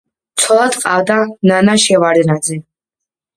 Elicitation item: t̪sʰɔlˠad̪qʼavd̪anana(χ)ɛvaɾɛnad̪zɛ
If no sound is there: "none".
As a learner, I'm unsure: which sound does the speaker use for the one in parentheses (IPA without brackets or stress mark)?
ʃ